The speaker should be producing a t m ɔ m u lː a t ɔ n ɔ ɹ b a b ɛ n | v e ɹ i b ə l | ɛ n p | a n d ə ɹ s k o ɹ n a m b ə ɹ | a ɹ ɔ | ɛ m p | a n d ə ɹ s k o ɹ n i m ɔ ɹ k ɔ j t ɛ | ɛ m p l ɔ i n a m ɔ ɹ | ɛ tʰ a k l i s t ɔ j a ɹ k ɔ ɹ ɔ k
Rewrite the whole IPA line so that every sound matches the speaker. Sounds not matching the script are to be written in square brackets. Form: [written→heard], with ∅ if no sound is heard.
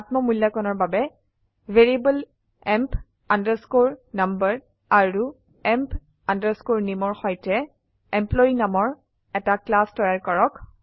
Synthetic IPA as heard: a t m ɔ m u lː a [t→k] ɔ n ɔ ɹ b a b ɛ [n→∅] | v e ɹ i b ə l | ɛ [n→m] p | a n d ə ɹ s k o ɹ n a m b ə ɹ | a ɹ [ɔ→u] | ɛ m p | a n d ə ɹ s k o ɹ n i m ɔ ɹ [k→x] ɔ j t ɛ | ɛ m p l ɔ i n a m ɔ ɹ | ɛ [tʰ→t] a k l [i→a] s t ɔ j a ɹ k ɔ ɹ ɔ k